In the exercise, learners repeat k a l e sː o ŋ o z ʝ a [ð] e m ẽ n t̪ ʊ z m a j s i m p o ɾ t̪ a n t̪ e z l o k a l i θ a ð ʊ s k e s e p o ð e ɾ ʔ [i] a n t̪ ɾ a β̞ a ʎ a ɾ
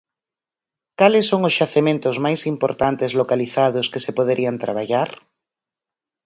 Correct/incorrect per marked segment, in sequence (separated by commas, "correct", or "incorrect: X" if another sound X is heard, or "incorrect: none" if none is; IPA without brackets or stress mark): incorrect: θ, correct